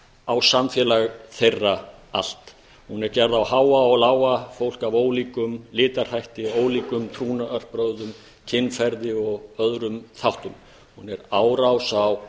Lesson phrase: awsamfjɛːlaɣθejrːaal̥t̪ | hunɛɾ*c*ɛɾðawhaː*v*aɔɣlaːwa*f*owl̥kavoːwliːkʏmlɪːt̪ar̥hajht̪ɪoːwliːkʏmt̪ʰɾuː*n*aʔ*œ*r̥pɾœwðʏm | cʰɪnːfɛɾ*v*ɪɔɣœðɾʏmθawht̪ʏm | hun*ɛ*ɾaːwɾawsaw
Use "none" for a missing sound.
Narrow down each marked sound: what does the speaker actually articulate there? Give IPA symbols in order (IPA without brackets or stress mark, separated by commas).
c, w, f, n, œ, ð, ɛ